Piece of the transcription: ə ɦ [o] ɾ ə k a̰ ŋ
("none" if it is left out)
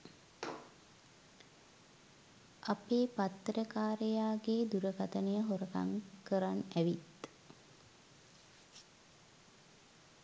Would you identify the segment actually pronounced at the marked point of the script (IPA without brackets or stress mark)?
o